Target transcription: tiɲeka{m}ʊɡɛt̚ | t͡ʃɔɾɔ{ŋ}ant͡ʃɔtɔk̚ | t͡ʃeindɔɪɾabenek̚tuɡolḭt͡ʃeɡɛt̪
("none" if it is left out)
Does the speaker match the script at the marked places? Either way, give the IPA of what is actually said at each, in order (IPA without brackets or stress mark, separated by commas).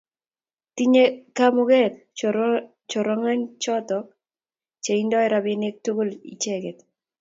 m, ŋ